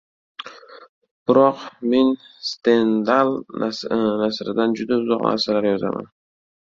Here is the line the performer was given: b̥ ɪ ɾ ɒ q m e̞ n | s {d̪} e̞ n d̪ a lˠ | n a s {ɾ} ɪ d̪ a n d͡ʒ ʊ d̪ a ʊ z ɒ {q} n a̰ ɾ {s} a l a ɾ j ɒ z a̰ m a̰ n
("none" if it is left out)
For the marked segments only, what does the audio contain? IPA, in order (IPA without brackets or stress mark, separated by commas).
t̪, ɾ, q, s